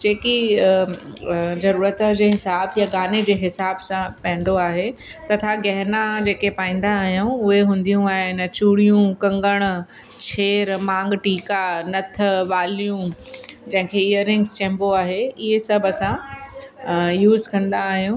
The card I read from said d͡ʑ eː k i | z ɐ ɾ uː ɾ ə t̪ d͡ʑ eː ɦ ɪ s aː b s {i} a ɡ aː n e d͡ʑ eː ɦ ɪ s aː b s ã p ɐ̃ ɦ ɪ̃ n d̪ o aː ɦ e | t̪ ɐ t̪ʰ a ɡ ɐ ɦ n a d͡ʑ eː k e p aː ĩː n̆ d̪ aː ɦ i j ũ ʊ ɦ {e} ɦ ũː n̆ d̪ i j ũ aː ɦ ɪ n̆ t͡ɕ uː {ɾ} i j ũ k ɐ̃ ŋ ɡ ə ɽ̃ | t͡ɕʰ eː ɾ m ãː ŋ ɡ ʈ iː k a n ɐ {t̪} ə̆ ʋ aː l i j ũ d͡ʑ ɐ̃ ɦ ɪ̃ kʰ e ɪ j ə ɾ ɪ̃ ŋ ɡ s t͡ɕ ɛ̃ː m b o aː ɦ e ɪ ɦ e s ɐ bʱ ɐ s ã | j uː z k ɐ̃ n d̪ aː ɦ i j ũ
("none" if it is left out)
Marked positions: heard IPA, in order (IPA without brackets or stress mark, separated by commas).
j, e, ɽ, t̪ʰ